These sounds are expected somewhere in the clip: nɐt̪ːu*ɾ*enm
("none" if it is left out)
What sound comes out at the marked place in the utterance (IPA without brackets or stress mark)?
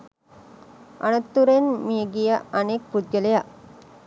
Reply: ɾ